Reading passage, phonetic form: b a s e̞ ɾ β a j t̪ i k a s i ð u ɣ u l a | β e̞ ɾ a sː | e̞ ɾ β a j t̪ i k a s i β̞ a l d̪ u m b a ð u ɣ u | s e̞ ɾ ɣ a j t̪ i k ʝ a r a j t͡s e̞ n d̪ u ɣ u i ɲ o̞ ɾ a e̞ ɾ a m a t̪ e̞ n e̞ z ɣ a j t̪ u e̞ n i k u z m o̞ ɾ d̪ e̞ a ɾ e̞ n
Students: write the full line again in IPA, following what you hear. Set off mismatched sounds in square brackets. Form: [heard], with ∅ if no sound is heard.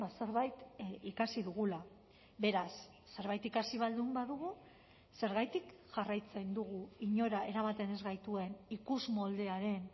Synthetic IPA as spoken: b a s e̞ ɾ β a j t̪ i k a s i ð u ɣ u l a | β e̞ ɾ a sː | e̞ ɾ β a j t̪ i k a s i β̞ a l d̪ u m b a ð u ɣ u | s e̞ ɾ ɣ a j t̪ i k ʝ a r a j t͡s e̞ n d̪ u ɣ u i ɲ o̞ ɾ a e̞ ɾ a m a t̪ e̞ n e̞ z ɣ a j t̪ u e̞ n i k u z m o̞ [l] d̪ e̞ a ɾ e̞ n